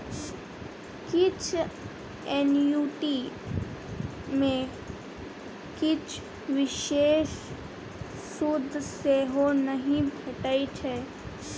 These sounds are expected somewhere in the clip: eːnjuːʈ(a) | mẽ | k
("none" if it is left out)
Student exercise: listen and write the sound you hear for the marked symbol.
i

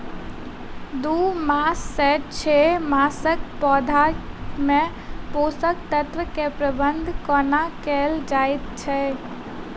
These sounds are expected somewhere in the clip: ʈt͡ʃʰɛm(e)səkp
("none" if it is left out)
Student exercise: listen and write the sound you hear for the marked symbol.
a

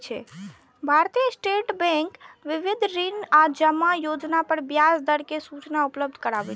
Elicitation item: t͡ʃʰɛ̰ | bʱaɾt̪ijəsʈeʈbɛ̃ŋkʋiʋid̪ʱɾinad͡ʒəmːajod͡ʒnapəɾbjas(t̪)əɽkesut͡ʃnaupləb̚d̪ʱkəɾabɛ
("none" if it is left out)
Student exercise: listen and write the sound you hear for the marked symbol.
d̪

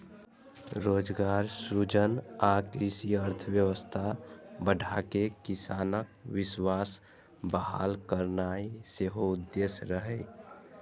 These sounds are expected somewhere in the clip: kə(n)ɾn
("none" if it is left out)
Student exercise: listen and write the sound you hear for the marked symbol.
none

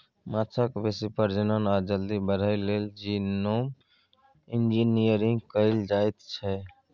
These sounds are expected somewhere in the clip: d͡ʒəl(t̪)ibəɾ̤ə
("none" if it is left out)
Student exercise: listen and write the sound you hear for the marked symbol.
d̪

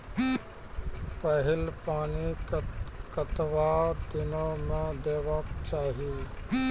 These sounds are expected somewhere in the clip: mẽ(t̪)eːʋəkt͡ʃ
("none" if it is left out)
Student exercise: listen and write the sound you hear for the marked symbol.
d̪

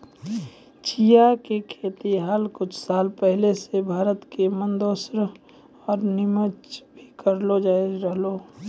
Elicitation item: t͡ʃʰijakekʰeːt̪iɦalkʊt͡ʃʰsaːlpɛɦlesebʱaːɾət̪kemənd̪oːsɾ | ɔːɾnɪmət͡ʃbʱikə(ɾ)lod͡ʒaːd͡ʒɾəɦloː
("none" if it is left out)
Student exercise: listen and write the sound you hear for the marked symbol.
ɾ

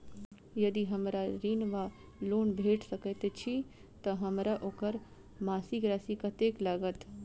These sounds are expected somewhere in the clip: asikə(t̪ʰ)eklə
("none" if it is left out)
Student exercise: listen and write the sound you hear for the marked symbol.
t̪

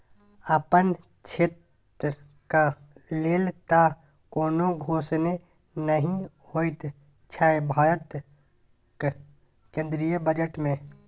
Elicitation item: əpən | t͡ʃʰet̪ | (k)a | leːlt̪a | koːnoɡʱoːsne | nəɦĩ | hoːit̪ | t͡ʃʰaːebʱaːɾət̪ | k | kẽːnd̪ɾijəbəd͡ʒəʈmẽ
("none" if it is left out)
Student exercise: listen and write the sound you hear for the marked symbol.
k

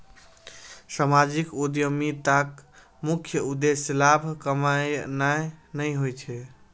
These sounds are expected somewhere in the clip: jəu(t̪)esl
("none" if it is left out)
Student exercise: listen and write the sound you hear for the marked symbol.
d̪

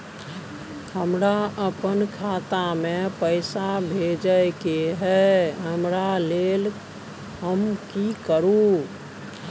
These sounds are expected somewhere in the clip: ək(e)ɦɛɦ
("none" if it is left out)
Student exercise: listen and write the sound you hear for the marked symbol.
e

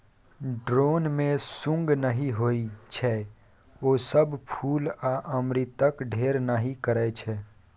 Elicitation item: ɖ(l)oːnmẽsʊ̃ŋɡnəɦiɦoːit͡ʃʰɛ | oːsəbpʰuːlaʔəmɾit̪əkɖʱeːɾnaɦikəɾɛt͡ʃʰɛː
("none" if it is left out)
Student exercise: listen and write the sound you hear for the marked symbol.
ɾ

